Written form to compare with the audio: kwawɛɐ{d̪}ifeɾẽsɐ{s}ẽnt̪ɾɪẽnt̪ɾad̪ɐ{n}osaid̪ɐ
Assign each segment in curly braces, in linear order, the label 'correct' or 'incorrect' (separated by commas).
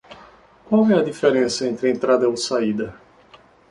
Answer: correct, incorrect, incorrect